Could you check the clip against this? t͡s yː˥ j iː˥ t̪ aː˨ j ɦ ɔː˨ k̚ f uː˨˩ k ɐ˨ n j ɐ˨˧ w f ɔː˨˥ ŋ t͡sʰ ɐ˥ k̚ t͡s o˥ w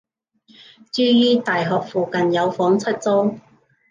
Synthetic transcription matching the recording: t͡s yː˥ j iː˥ t̪ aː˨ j ɦ ɔː˨ k̚ f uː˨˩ k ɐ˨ n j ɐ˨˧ w f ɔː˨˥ ŋ t͡sʰ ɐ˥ t̚ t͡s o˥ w

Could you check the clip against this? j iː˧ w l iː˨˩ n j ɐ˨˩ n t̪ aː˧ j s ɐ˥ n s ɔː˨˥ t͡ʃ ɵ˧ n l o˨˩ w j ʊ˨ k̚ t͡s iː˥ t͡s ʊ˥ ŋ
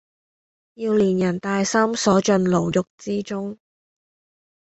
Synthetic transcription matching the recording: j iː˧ w l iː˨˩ n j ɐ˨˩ n t̪ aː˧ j s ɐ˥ m s ɔː˨˥ t͡ʃ ɵ˧ n l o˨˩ w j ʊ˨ k̚ t͡s iː˥ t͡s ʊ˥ ŋ

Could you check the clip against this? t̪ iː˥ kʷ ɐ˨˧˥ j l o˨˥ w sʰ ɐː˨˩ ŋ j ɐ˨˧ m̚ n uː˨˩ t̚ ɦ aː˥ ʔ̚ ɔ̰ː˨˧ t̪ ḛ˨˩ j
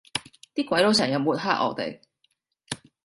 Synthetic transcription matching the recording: t̪ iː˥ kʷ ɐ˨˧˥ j l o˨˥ w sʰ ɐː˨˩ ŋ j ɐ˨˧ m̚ m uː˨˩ t̚ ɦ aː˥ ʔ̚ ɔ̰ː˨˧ t̪ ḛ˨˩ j

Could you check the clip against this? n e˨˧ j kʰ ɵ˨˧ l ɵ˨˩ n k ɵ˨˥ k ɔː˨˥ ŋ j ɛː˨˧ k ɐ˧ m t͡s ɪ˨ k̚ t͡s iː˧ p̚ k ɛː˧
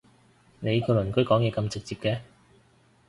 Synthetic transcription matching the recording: n e˨˧ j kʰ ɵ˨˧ l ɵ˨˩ n k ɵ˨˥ k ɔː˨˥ ŋ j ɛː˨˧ k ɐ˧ m t͡s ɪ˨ k̚ t͡s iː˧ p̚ k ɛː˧

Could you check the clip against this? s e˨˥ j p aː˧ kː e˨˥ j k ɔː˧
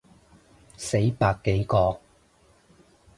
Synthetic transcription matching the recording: s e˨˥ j p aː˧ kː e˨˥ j k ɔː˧

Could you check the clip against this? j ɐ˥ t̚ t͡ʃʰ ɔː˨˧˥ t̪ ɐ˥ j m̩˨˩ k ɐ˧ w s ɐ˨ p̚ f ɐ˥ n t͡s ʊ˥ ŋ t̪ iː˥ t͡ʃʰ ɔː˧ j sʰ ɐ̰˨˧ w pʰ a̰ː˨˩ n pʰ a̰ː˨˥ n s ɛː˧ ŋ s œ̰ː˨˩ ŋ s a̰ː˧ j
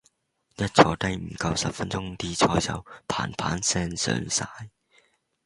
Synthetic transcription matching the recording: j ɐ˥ t̚ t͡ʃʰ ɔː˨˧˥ t̪ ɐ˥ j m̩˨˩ k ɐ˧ w s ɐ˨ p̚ f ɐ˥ n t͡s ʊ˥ ŋ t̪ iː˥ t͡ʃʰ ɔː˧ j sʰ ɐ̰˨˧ w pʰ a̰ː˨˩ n pʰ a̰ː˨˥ n s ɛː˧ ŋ s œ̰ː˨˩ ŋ s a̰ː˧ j

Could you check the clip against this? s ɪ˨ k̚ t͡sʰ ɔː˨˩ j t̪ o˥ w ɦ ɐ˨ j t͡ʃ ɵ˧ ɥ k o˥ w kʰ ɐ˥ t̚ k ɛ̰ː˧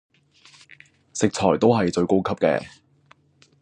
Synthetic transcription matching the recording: s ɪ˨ k̚ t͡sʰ ɔː˨˩ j t̪ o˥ w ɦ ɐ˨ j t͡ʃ ɵ˧ ɥ k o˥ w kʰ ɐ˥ p̚ k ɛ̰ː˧

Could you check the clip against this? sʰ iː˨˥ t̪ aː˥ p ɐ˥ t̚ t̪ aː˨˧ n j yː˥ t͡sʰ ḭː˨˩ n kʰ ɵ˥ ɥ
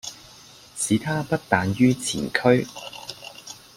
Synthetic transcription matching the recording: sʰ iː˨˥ t̪ʰ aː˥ p ɐ˥ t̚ t̪ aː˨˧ n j yː˥ t͡sʰ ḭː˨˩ n kʰ ɵ˥ ɥ

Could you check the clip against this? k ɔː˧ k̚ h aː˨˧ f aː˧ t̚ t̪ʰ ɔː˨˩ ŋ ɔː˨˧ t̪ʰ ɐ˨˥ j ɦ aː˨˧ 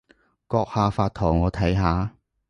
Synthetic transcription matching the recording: k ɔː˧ k̚ h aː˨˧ f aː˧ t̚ t̪ʰ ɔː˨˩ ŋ ɔː˨˧ t̪ʰ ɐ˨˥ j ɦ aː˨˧

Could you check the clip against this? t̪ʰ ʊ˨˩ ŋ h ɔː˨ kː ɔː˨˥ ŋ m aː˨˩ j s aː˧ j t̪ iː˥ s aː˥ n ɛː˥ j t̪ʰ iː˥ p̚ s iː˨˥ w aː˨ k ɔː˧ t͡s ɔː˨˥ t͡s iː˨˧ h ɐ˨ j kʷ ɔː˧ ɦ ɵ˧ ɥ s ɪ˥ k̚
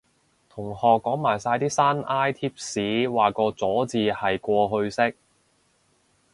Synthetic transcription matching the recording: t̪ʰ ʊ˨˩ ŋ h ɔː˨ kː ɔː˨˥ ŋ m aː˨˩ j s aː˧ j t̪ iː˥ s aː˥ n aː˥ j t̪ʰ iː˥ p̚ s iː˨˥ w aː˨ k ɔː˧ t͡s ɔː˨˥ t͡s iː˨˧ h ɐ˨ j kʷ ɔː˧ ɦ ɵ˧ ɥ s ɪ˥ k̚

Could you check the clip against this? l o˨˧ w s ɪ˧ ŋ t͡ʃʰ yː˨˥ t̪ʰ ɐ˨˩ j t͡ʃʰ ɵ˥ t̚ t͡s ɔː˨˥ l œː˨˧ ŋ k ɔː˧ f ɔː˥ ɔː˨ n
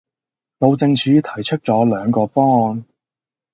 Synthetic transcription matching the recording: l o˨˧ w t͡s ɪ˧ ŋ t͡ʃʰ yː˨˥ t̪ʰ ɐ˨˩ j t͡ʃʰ ɵ˥ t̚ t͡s ɔː˨˥ l œː˨˧ ŋ k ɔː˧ f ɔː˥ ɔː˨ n

